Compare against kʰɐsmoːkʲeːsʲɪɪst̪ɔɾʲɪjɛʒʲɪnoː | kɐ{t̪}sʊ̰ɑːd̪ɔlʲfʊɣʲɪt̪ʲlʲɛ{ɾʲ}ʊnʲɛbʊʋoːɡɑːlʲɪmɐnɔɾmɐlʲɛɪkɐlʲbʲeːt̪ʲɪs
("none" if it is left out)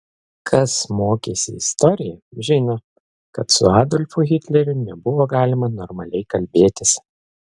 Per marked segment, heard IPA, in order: t̪, ɾʲ

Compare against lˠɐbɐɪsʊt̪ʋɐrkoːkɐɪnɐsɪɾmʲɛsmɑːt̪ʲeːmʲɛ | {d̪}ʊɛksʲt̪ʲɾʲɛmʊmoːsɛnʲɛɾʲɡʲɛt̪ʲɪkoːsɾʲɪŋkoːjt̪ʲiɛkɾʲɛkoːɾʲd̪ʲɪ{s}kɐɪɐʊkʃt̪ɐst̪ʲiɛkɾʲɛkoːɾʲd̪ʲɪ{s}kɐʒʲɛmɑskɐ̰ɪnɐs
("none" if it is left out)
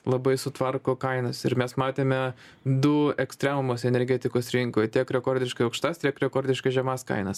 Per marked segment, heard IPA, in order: d̪, ʃ, ʃ

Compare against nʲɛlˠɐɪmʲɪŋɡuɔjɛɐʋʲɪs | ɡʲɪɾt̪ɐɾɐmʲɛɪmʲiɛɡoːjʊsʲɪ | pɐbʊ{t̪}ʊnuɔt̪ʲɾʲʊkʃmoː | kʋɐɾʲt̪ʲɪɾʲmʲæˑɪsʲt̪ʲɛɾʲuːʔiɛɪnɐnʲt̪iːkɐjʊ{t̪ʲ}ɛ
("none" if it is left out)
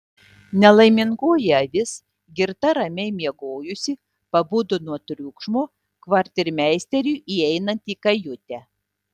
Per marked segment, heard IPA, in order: d̪, t̪ʲ

